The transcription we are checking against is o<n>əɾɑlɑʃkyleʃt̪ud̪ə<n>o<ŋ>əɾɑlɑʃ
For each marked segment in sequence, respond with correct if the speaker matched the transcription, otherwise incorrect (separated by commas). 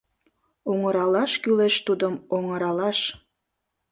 incorrect, incorrect, correct